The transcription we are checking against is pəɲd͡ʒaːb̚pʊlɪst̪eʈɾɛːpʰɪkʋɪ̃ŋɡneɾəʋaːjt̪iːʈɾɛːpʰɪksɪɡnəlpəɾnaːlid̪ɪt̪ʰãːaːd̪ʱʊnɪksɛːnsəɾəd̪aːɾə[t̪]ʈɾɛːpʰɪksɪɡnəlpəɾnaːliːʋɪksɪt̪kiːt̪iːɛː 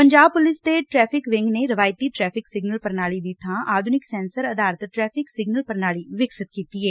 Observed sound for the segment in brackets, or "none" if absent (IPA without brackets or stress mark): t̪